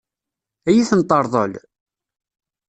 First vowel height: low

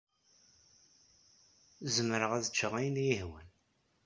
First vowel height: mid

